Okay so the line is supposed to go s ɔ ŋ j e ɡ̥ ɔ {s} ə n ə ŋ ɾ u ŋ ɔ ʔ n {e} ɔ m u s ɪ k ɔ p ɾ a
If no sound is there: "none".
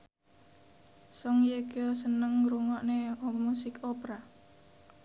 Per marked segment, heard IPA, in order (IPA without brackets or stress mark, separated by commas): s, e